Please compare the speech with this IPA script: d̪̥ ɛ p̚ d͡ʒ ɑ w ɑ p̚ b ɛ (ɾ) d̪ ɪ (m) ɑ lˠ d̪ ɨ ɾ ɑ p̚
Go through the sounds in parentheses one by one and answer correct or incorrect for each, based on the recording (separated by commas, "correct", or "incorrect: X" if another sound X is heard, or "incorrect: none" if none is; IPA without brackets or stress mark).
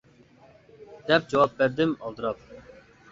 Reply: correct, correct